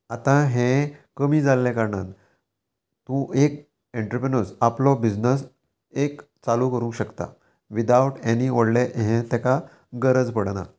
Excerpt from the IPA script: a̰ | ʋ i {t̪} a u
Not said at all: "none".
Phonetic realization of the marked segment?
d̪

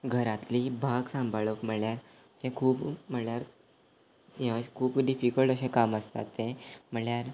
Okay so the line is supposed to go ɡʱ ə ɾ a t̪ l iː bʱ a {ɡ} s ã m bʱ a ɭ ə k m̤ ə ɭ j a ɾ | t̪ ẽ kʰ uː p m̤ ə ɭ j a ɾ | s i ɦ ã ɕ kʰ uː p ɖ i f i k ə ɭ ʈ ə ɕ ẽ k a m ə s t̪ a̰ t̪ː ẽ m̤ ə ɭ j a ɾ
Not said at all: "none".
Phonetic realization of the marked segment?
ɡ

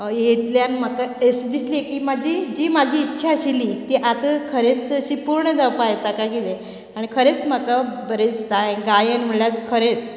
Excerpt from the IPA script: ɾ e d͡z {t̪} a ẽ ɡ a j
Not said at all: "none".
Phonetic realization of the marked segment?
t̪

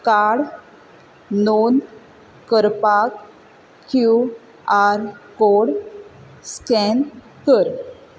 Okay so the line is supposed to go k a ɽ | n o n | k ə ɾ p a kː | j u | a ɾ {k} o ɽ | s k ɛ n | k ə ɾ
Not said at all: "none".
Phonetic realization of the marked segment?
k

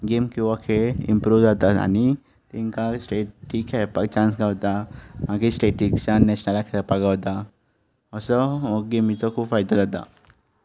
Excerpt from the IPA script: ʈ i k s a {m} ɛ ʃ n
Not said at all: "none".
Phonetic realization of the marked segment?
n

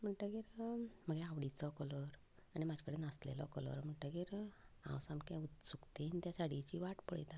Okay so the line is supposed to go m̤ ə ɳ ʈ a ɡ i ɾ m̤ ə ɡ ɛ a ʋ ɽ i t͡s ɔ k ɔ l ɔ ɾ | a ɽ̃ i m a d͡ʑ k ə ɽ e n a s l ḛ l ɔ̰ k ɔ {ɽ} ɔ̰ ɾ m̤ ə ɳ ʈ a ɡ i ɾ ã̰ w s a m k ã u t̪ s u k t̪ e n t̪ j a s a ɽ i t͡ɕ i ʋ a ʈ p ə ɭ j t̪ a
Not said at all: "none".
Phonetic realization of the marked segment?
l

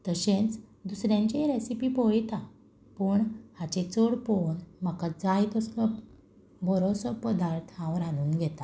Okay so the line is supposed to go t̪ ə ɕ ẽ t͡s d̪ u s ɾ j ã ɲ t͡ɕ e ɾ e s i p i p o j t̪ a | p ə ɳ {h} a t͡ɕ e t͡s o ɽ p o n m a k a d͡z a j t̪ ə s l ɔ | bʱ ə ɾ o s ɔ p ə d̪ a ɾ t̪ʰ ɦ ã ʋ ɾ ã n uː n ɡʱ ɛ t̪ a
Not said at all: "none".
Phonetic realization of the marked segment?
h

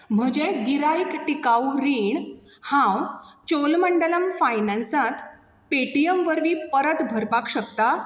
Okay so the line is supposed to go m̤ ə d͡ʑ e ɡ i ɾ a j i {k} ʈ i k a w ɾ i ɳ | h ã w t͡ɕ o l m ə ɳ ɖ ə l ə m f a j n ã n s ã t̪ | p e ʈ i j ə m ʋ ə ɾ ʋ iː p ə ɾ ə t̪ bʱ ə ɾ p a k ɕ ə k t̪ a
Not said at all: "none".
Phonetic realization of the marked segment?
k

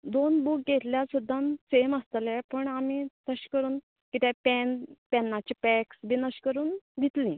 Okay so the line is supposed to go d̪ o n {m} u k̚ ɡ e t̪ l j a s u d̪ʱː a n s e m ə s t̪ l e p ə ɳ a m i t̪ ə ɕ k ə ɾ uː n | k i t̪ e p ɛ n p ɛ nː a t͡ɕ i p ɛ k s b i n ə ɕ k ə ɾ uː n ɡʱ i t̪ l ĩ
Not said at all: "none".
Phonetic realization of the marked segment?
b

